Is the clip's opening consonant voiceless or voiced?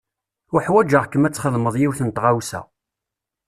voiceless